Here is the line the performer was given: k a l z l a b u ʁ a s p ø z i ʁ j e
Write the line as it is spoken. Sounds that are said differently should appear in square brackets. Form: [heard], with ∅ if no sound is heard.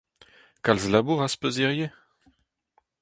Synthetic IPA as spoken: k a l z l a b u ʁ a s p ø z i ʁ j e